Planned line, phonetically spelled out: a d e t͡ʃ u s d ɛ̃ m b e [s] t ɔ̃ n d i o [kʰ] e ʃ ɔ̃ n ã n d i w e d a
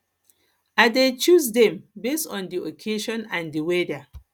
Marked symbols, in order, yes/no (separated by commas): yes, yes